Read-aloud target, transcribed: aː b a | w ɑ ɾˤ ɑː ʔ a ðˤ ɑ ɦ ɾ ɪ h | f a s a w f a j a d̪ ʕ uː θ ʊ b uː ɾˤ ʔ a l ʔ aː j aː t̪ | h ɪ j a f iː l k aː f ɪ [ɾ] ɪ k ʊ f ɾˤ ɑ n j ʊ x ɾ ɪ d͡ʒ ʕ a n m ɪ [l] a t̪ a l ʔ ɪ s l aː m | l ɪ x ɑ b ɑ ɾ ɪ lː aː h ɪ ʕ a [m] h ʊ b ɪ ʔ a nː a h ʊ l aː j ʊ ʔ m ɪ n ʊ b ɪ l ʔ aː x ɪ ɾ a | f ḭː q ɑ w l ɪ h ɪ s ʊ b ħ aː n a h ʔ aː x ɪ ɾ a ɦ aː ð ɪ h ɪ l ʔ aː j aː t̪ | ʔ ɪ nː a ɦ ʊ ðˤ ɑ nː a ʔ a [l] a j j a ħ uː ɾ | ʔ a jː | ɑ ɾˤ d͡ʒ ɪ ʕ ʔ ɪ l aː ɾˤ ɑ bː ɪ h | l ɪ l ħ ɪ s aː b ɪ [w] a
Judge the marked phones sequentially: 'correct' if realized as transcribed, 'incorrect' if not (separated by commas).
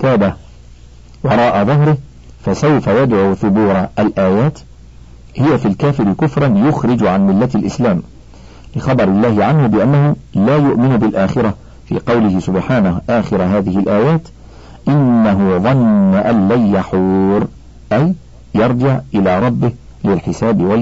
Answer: correct, incorrect, incorrect, incorrect, correct